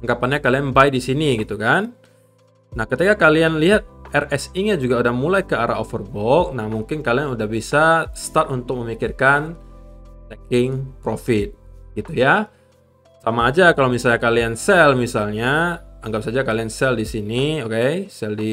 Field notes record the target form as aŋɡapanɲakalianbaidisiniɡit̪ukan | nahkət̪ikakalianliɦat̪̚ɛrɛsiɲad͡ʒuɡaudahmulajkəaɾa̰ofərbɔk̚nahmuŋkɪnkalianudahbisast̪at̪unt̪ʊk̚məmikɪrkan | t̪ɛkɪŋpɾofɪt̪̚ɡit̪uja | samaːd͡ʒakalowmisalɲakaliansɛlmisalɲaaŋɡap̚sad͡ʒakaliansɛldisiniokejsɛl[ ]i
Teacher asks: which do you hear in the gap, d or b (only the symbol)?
d